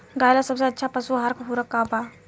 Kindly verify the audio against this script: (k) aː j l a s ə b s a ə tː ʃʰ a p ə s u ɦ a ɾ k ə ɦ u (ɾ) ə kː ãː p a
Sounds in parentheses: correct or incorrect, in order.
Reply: incorrect: ɡ, correct

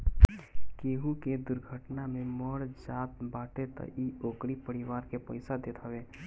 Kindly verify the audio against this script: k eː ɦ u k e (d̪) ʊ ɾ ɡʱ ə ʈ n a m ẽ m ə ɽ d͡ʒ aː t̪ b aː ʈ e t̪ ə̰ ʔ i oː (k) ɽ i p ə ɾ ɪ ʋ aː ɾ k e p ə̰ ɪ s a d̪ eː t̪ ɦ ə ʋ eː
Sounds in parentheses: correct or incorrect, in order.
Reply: correct, correct

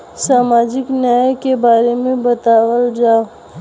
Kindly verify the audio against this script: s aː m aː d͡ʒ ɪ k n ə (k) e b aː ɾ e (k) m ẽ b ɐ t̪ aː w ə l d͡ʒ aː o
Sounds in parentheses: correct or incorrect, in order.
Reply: correct, incorrect: none

